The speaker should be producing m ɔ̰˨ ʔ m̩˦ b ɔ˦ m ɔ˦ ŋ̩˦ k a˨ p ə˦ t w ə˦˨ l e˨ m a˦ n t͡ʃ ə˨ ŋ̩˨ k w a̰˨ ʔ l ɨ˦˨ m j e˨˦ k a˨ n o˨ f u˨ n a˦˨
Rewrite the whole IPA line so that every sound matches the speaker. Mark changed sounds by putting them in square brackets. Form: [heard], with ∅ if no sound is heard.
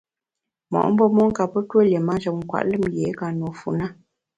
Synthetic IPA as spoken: m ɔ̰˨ ʔ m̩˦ b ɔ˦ m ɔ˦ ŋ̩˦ k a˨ p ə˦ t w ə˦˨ l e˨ m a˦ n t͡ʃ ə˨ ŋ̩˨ k w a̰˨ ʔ l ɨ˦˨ m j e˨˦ k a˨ n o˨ f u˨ n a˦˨